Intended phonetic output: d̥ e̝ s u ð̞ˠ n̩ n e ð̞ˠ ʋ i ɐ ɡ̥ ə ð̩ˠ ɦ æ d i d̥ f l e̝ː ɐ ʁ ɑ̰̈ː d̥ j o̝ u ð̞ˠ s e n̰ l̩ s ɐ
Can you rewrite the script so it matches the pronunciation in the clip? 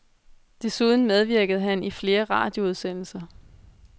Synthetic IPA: d̥ e̝ s u ð̞ˠ n̩ m e ð̞ˠ ʋ i ɐ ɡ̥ ə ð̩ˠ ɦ æ n i f l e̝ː ɐ ʁ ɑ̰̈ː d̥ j o̝ u ð̞ˠ s e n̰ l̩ s ɐ